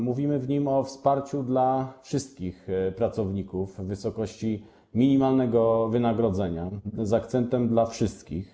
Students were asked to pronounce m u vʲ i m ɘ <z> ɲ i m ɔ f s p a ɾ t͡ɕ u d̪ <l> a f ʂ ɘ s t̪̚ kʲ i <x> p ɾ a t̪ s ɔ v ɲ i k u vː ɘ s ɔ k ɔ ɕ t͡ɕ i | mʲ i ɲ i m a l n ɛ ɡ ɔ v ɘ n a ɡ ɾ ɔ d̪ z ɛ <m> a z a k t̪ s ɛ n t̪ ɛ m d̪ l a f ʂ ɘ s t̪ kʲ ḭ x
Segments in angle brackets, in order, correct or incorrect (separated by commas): incorrect, correct, correct, incorrect